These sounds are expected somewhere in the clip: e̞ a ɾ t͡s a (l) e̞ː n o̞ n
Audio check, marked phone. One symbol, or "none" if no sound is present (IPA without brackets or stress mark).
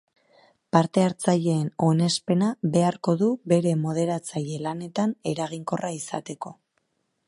ʎ